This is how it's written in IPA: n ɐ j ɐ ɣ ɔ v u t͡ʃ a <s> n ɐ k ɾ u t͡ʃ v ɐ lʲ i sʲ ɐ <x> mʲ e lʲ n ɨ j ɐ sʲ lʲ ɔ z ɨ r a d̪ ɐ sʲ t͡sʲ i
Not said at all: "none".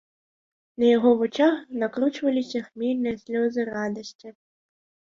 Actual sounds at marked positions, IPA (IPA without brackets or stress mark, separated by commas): x, x